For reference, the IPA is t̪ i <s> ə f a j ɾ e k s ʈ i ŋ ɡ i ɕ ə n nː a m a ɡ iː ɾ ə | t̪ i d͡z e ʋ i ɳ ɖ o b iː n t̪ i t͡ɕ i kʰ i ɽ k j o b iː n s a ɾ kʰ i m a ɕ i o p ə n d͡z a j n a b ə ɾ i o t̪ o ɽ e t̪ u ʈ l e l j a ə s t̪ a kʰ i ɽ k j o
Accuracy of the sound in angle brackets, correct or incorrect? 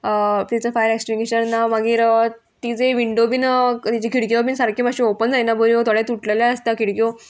incorrect